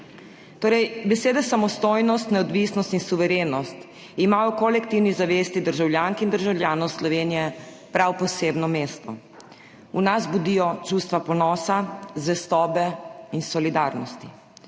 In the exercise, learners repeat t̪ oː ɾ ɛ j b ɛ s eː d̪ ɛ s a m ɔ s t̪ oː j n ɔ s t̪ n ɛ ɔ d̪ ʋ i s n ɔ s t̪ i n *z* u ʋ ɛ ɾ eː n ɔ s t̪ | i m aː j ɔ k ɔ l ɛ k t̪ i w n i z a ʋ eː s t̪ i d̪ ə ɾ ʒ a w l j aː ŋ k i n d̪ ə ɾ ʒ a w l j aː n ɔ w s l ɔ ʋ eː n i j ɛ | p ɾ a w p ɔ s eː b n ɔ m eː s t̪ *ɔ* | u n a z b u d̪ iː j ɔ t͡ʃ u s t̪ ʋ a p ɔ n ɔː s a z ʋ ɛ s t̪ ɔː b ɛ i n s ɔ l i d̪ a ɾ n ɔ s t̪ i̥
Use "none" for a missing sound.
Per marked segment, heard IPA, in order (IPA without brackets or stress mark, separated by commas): s, ɔ